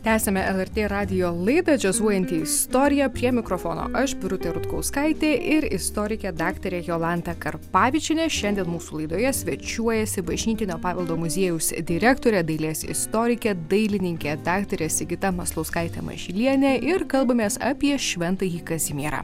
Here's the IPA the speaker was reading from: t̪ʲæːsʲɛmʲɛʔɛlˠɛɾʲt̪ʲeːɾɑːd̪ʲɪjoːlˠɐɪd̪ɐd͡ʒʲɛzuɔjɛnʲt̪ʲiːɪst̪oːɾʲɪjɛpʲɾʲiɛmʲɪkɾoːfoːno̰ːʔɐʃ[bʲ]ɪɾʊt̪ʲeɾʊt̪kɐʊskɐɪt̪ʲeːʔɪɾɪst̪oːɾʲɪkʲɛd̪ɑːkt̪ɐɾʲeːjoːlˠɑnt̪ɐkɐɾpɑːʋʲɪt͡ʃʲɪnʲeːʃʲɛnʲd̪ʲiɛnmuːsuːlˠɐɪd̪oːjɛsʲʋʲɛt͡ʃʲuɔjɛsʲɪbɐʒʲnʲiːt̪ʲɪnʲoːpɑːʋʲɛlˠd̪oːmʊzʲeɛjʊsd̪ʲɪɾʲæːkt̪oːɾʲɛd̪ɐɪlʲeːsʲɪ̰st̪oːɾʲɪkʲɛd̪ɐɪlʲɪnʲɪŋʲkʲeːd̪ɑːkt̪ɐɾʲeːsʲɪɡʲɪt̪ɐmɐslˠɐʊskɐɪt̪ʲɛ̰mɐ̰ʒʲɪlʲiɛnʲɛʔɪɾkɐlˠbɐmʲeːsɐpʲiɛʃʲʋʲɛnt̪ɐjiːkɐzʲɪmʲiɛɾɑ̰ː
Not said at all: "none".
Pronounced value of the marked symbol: bʲ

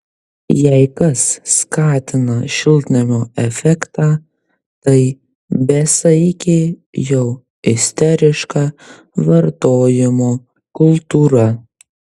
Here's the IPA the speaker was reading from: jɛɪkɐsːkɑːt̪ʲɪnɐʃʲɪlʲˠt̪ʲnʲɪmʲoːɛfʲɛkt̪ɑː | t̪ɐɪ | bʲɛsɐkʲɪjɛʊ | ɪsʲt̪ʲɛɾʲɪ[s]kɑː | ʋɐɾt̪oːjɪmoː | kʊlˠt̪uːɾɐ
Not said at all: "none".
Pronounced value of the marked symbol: ʃ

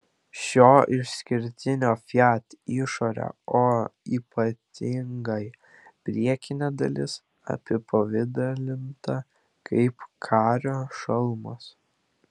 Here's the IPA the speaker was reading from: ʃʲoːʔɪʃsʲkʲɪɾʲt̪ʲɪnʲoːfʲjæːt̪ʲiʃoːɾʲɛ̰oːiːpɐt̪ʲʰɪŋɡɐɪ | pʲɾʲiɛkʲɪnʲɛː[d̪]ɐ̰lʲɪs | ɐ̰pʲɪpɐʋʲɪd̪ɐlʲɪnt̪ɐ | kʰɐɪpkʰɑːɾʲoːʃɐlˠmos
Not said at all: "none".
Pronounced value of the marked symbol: d̪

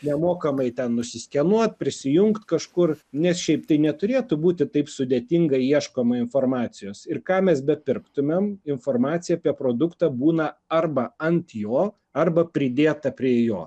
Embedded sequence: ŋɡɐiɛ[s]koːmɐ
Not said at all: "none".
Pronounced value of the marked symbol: ʃ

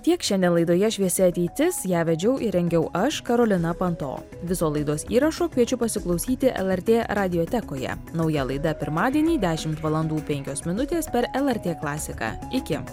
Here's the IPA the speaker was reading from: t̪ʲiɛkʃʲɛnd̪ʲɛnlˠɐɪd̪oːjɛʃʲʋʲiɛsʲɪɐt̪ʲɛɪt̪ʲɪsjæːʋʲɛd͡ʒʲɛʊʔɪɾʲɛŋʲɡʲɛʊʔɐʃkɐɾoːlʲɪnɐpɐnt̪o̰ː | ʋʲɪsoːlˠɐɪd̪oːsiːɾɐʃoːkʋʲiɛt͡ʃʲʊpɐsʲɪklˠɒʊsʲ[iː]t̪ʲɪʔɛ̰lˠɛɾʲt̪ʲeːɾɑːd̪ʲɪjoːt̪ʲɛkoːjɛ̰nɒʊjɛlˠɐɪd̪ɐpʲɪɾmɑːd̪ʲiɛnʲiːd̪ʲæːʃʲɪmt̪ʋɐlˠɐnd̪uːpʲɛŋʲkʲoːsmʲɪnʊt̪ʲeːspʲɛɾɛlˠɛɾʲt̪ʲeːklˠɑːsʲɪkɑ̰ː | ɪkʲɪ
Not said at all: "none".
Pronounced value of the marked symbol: iː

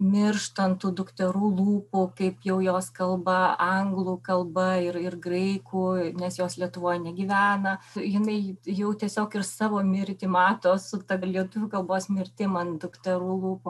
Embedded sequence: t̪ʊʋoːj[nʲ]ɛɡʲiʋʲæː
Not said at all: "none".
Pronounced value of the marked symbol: nʲ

